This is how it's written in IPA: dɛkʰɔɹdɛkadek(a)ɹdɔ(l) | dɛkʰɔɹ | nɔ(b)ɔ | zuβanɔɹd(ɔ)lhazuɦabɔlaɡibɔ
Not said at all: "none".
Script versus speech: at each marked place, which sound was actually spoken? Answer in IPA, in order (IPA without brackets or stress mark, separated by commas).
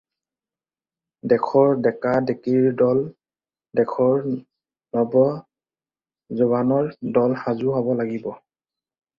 i, l, b, ɔ